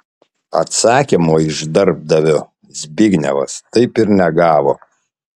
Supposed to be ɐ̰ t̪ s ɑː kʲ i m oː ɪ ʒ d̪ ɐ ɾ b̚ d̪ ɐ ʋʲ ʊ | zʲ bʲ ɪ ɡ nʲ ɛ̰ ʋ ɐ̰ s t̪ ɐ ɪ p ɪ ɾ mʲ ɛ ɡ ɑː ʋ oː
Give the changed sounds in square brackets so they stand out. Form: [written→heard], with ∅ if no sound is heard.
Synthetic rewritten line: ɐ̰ t̪ s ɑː kʲ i m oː ɪ ʒ d̪ ɐ ɾ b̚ d̪ ɐ ʋʲ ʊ | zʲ bʲ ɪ ɡ nʲ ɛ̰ ʋ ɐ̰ s t̪ ɐ ɪ p ɪ ɾ [mʲ→nʲ] ɛ ɡ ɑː ʋ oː